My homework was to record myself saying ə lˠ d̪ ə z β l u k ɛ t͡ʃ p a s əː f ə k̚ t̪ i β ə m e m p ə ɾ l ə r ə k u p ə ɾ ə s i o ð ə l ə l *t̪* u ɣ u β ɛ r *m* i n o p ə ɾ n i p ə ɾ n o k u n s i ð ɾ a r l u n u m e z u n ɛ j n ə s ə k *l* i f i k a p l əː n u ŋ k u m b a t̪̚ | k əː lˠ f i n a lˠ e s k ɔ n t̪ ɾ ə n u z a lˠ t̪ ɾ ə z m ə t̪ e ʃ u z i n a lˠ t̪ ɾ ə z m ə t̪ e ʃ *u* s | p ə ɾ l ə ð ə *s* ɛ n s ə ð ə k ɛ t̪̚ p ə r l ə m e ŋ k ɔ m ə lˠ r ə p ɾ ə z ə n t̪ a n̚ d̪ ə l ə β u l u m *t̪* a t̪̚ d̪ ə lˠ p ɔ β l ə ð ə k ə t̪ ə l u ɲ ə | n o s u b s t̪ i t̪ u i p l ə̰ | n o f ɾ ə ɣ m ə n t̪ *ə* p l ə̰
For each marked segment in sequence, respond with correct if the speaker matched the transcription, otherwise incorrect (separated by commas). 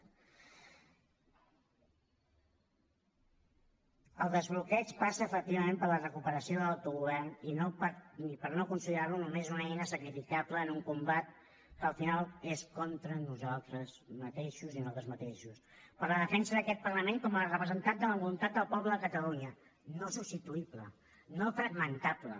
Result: correct, incorrect, incorrect, correct, incorrect, correct, incorrect